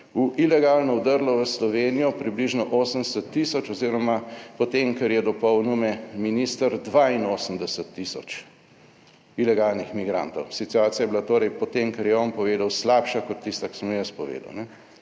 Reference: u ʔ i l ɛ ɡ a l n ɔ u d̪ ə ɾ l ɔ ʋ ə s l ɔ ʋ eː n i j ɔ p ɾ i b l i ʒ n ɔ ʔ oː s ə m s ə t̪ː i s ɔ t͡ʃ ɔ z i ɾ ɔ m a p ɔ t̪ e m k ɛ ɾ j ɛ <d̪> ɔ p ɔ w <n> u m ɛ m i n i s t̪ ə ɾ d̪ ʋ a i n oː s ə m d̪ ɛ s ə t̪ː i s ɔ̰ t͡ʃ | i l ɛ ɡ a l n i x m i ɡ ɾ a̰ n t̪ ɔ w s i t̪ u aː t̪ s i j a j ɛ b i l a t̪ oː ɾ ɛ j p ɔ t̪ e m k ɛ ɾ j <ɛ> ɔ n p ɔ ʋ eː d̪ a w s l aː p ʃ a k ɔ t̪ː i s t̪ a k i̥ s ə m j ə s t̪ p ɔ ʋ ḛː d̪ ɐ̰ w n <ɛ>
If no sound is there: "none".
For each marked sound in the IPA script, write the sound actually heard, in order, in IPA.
d̪, n, ɛ, ɛ

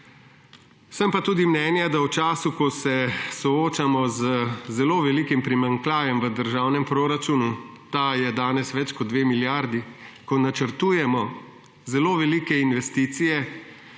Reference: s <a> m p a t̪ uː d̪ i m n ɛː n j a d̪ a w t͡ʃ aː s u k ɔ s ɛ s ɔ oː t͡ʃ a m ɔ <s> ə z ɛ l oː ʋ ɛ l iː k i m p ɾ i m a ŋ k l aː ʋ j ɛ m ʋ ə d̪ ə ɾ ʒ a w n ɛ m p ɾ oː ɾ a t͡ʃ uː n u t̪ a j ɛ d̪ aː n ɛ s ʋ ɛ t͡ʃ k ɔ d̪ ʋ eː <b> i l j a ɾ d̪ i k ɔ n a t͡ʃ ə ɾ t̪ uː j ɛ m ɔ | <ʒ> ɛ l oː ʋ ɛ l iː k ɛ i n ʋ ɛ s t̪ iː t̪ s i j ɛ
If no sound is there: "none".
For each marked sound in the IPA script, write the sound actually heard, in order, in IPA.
ə, z, m, z

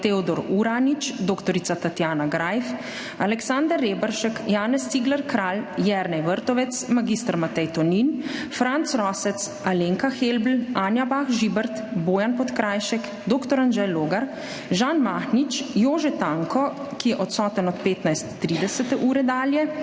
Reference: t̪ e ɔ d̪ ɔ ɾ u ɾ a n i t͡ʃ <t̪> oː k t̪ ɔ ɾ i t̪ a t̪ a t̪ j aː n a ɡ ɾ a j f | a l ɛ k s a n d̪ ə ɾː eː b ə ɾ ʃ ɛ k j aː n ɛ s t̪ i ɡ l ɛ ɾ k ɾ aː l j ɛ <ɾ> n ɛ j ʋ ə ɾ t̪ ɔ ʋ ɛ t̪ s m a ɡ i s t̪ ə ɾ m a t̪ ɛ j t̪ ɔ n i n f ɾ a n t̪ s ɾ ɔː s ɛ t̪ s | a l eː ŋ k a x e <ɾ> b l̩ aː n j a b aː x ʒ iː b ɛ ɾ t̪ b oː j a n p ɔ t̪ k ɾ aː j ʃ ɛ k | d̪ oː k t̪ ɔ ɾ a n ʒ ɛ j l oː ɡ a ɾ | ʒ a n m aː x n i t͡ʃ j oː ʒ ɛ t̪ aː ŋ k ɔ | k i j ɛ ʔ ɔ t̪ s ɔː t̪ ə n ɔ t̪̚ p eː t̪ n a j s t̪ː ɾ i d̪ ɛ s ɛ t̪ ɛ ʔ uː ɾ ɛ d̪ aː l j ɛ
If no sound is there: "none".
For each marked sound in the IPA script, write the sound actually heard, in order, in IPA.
d̪, ɾ, l

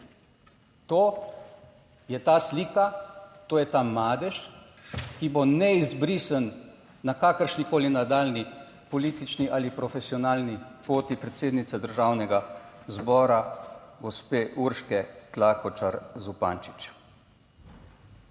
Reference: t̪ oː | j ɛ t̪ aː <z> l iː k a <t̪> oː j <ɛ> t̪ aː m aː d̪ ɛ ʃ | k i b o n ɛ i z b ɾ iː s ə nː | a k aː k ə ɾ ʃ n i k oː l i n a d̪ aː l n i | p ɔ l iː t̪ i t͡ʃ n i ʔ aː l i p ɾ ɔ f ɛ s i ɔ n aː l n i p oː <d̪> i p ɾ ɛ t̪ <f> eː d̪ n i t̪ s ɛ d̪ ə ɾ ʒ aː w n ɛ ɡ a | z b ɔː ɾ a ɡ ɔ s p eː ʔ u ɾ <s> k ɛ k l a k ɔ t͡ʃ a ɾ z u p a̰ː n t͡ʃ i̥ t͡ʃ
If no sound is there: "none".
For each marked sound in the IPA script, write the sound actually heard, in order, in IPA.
s, t̪, ɛ, t̪, s, ʃ

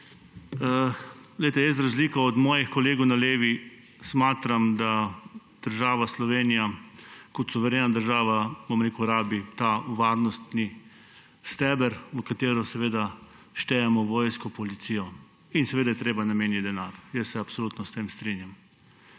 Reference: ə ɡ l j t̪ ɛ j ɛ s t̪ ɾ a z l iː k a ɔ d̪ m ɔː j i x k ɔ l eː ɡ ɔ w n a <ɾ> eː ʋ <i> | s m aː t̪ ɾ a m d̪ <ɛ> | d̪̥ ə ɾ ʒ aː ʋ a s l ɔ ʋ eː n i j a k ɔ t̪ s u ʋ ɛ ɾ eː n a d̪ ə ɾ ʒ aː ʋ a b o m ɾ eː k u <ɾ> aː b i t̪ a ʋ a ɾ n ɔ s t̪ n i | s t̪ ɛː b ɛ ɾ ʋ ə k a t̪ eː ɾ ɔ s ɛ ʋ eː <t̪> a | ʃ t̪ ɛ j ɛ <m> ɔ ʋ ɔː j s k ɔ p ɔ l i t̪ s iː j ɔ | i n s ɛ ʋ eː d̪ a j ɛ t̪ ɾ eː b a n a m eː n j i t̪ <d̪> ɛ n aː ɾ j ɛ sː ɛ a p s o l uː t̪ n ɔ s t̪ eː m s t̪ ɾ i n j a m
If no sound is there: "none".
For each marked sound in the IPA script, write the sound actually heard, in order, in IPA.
l, i, a, ɾ, d̪, m, d̪

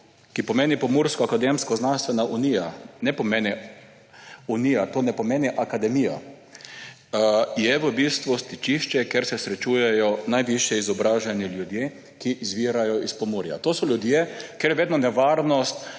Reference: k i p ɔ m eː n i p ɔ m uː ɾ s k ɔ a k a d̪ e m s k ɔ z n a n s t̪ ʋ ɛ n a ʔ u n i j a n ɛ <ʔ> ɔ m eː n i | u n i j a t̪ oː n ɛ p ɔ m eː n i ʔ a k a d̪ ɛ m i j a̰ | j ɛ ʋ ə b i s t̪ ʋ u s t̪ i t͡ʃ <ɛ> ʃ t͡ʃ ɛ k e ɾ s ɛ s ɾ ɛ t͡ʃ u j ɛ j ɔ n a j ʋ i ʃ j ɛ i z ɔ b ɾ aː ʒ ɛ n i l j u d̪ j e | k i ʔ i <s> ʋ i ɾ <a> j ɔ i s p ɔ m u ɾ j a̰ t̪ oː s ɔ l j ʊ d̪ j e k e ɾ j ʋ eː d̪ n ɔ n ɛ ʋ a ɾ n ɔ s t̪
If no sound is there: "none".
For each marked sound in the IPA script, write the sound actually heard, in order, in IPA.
p, i, z, a

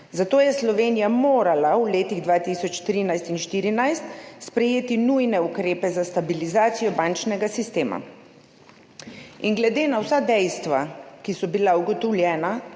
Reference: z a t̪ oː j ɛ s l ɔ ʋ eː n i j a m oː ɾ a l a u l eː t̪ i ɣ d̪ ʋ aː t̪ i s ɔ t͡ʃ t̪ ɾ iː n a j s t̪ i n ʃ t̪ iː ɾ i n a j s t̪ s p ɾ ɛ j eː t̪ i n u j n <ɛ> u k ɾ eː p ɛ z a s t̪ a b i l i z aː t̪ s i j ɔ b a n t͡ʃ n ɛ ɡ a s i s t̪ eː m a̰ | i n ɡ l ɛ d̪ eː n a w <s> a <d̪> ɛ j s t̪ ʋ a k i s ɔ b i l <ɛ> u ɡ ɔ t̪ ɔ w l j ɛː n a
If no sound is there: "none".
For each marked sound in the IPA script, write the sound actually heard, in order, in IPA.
ɛ, s, d̪, a

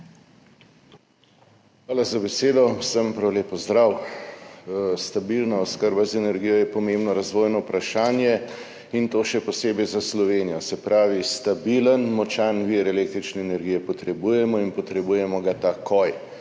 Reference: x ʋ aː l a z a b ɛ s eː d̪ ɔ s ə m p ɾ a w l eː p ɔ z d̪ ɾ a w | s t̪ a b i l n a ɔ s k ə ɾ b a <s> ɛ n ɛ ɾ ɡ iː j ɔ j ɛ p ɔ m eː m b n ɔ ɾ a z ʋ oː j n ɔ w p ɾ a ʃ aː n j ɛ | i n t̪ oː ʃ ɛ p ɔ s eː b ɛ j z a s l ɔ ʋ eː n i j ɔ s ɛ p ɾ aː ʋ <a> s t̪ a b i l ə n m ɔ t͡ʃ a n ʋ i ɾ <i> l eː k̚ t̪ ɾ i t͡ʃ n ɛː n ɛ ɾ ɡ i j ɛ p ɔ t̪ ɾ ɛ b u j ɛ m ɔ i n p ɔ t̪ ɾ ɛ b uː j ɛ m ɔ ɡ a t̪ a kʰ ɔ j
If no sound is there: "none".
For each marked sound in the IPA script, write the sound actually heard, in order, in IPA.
z, i, ɛ

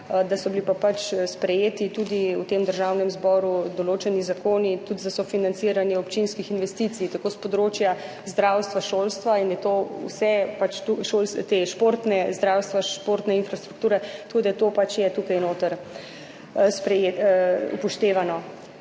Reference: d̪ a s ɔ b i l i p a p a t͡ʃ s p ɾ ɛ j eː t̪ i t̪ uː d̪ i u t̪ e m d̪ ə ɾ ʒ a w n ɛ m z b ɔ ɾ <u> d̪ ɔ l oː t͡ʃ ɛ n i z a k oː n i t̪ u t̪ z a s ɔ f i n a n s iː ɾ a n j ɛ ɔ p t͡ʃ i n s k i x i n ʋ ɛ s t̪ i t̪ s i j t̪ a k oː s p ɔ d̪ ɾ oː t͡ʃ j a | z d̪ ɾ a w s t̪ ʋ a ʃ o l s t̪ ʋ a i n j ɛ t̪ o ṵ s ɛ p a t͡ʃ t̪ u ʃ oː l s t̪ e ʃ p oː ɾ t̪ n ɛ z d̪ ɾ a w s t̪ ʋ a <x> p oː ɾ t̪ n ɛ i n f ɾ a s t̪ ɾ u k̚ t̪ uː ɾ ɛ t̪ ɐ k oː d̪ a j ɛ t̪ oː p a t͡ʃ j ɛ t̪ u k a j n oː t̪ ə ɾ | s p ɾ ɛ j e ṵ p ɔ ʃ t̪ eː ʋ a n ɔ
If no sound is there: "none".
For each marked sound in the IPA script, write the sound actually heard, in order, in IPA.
u, ʃ

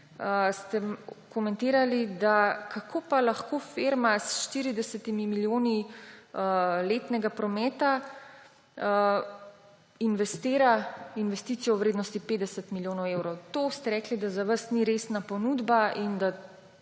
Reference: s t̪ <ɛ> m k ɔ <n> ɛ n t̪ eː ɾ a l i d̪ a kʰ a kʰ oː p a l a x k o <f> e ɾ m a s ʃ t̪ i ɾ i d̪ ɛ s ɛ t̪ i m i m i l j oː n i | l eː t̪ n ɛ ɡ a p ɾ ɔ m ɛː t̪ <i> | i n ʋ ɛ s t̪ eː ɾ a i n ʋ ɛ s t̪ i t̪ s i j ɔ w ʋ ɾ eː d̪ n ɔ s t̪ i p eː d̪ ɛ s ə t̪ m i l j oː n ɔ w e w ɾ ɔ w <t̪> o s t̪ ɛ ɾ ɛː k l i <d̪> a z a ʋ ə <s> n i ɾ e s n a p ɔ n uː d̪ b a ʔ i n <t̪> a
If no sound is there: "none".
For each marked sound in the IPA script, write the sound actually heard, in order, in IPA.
ɛ, m, f, a, t̪, d̪, s, d̪

